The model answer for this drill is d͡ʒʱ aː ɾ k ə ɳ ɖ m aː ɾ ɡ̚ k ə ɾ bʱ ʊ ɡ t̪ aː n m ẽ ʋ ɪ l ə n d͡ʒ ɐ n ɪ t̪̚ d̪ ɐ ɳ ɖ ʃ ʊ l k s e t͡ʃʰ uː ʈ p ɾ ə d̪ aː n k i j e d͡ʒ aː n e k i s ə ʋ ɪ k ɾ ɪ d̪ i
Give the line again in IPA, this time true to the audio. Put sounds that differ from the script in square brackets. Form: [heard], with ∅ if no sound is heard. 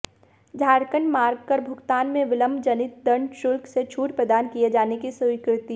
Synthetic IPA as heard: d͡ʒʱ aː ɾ k ə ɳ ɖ m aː ɾ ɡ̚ k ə ɾ bʱ ʊ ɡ t̪ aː n m ẽ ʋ ɪ l ə [m] d͡ʒ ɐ n ɪ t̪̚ d̪ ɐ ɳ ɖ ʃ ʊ l k s e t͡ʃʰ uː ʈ p ɾ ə d̪ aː n k i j e d͡ʒ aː n e k i s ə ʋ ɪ k ɾ ɪ [t̪] i